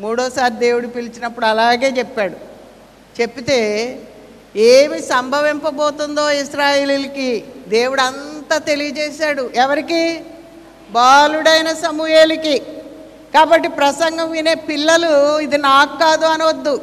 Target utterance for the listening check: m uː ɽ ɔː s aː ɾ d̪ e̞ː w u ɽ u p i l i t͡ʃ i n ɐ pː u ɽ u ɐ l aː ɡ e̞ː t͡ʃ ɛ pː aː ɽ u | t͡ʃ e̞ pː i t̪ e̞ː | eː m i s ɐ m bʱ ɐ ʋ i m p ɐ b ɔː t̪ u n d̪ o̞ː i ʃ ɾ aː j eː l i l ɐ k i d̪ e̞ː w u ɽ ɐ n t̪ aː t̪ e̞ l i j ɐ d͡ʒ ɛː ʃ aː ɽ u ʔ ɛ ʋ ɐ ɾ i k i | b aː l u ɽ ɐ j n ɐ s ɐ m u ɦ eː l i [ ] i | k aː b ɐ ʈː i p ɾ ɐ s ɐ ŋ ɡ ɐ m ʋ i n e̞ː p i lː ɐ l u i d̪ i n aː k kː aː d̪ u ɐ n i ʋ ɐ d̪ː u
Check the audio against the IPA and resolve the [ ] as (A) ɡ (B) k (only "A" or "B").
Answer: B